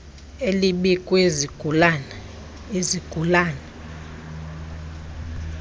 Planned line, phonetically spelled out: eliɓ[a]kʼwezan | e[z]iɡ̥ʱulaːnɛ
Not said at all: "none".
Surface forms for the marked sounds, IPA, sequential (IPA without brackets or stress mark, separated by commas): i, z